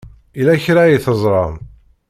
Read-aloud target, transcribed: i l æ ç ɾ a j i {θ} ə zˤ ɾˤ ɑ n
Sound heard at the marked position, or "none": θ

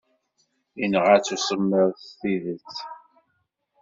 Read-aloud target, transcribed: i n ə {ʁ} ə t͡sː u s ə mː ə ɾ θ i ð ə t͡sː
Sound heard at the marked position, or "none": ʁ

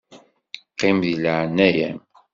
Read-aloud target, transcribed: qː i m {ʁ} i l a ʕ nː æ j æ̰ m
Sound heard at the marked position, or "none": ð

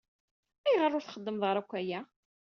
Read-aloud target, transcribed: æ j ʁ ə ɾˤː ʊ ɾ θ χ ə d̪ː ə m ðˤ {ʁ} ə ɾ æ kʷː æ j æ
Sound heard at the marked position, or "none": ʁ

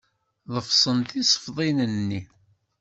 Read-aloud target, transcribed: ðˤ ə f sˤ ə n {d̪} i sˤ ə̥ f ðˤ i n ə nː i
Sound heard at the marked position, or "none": t̪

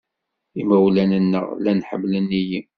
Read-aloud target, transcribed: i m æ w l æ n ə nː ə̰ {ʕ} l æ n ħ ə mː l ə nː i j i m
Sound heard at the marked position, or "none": ʁ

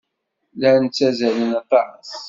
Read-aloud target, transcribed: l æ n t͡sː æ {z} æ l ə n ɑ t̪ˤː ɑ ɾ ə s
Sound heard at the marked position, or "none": z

